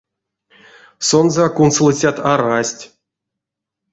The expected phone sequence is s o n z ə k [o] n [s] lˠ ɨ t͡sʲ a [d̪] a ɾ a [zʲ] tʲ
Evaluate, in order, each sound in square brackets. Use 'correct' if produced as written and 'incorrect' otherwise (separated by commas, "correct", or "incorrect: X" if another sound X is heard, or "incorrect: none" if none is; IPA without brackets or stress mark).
incorrect: u, correct, incorrect: t̪, incorrect: sʲ